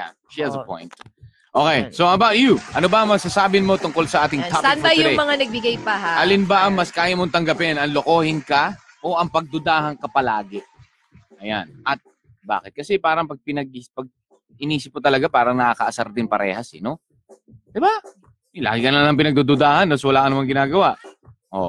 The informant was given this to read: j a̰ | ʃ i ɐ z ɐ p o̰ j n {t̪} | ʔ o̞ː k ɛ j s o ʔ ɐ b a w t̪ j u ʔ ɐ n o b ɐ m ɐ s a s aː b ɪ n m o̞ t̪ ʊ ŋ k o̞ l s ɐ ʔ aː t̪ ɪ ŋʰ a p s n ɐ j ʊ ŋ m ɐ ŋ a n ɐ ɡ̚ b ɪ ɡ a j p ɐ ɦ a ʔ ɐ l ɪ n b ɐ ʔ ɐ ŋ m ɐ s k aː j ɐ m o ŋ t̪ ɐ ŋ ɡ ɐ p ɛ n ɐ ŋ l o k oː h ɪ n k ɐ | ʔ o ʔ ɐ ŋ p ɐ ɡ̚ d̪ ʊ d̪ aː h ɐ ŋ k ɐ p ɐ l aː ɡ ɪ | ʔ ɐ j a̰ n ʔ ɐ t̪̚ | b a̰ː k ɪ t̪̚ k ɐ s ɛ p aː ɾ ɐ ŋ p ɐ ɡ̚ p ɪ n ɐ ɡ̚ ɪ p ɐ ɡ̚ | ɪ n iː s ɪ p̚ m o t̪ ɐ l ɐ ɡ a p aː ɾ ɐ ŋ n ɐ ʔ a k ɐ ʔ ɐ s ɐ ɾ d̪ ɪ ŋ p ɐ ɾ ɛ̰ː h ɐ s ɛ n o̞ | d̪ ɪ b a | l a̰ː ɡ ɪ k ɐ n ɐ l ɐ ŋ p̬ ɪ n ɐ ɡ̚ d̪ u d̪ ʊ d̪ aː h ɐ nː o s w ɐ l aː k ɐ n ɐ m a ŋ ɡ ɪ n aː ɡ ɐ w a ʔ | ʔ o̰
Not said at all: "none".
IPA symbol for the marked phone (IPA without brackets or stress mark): t̪